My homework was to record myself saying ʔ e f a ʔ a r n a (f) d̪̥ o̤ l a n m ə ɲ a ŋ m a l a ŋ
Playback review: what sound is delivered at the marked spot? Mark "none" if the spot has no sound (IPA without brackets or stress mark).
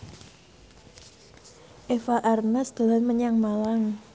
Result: s